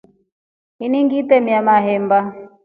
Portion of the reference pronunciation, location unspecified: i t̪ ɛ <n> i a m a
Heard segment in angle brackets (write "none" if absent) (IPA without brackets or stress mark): m